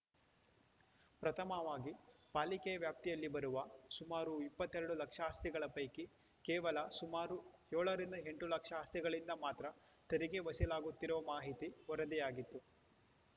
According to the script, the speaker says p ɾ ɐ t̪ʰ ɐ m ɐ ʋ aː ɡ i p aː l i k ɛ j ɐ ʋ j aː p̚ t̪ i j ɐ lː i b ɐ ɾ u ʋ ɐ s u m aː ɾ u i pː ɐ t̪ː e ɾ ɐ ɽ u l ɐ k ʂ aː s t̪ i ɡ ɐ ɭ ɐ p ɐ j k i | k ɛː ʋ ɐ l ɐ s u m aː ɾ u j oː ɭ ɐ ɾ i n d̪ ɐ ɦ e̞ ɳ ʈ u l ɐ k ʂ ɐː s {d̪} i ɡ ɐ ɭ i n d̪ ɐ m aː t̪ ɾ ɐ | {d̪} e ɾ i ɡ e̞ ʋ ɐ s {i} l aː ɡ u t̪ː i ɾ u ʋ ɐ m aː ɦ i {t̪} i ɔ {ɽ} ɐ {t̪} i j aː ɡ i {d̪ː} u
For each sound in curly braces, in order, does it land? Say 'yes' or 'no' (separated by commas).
no, no, yes, yes, no, no, no